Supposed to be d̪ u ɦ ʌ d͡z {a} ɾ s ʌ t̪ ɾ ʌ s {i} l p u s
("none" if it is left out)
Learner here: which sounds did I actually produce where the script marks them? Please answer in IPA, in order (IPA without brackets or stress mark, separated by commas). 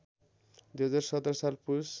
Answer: a, a